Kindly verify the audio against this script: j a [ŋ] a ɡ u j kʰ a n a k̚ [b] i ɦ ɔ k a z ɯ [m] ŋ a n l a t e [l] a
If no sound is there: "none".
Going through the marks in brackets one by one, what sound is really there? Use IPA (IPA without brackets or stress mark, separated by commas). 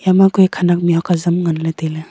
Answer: m, m, m, l